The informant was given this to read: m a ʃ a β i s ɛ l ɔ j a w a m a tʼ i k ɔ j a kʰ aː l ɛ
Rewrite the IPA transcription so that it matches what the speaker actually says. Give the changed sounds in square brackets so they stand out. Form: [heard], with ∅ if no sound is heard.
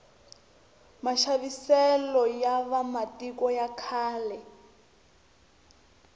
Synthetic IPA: m a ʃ a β i s ɛ l ɔ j a [β] a m a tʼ i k ɔ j a kʰ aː l ɛ